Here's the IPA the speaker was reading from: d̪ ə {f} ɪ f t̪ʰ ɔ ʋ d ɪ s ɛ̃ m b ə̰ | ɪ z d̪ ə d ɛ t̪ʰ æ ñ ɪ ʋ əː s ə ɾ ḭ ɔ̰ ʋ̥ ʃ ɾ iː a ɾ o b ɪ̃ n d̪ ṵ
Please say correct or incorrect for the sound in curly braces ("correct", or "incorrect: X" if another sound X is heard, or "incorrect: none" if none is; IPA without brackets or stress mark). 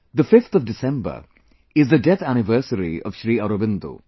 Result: correct